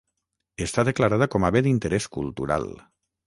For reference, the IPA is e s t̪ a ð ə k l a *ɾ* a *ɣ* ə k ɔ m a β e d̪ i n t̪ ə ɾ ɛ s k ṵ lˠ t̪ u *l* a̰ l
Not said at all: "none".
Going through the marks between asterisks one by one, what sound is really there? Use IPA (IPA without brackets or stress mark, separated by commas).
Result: ɾ, ð, ɾ